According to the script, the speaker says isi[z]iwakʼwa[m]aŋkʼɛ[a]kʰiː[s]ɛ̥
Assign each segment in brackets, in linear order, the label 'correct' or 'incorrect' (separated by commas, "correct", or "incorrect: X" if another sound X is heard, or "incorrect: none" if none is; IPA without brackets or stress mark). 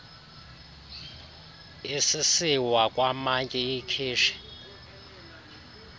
incorrect: s, correct, incorrect: i, incorrect: ʃ